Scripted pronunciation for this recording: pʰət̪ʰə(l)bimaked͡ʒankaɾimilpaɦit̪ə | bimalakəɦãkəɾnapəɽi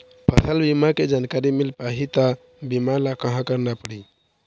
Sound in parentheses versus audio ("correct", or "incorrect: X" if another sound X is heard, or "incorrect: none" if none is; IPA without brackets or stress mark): correct